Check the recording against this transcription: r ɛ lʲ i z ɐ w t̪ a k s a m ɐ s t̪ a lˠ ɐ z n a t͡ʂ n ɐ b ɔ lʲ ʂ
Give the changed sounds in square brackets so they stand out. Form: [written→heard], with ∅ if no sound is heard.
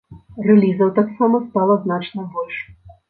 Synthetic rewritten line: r ɛ lʲ i z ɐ w t̪ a k s a m ɐ s t̪ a lˠ ɐ z n a t͡ʂ n ɐ b ɔ lʲ ʂ